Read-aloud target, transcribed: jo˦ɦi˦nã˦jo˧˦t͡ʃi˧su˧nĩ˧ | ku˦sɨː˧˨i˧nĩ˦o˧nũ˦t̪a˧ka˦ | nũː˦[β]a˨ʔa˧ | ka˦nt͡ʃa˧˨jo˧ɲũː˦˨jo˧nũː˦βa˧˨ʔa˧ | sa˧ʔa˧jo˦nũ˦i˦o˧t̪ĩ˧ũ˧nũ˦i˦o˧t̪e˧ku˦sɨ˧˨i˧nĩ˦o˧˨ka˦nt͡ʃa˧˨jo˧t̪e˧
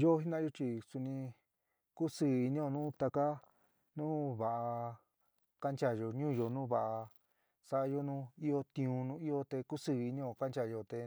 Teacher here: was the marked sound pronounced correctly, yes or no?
yes